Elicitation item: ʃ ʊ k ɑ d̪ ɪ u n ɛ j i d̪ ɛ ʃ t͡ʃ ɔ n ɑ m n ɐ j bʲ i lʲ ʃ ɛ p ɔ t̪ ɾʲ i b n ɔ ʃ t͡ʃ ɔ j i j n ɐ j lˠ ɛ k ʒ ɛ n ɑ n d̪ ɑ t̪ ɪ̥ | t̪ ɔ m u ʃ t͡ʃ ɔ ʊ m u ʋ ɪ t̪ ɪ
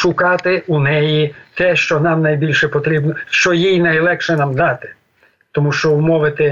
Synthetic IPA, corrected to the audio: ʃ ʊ k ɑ t̪ ɪ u n ɛ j i t̪ ɛ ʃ t͡ʃ ɔ n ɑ m n ɐ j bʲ i lʲ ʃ ɛ p ɔ t̪ ɾʲ i b n ɔ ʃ t͡ʃ ɔ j i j n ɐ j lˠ ɛ k ʃ ɛ n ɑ m d̪ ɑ t̪ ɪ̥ | t̪ ɔ m u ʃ t͡ʃ ɔ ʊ m ɔ ʋ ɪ t̪ ɪ